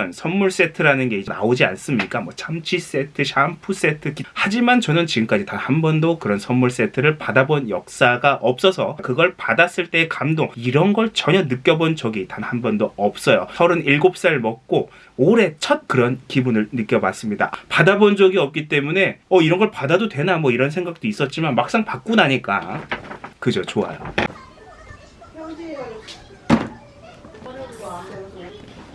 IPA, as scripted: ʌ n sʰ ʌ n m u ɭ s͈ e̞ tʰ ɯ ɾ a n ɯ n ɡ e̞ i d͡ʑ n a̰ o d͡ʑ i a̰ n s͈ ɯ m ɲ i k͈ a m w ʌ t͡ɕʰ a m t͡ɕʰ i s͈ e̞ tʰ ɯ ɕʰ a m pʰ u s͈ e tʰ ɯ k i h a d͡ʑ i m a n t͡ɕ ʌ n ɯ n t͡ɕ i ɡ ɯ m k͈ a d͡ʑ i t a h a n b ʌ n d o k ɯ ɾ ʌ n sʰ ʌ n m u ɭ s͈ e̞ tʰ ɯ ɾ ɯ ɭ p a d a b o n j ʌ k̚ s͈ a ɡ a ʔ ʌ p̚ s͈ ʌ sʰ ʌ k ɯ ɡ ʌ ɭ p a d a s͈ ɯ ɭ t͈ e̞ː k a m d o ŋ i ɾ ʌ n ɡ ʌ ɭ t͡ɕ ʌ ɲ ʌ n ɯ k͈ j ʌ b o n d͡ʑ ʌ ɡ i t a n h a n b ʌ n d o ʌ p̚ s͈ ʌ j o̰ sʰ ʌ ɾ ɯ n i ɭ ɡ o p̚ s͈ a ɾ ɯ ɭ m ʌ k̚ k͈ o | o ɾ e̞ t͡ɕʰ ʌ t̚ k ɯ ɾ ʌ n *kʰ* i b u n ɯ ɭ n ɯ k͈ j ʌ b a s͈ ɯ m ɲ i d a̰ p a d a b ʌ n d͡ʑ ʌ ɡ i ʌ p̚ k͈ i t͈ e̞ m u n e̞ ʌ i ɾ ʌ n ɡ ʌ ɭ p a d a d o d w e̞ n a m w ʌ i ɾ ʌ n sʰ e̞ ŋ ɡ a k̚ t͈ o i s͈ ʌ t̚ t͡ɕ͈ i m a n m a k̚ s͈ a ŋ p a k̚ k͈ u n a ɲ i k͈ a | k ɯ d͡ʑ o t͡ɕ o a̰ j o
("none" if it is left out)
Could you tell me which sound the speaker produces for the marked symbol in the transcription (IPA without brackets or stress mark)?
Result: k